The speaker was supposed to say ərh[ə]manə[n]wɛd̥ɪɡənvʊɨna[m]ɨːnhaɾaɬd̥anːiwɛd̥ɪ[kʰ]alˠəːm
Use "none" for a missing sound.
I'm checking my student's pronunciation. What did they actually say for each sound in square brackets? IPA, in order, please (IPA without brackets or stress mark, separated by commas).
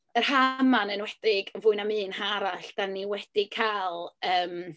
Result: a, n, m, kʰ